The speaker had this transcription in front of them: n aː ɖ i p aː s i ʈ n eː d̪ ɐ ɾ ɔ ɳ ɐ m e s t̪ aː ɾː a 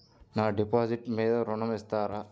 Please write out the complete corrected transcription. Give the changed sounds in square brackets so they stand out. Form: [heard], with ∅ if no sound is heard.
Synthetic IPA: n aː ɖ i p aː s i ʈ [m] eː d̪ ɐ ɾ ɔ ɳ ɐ m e s t̪ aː [ɾ] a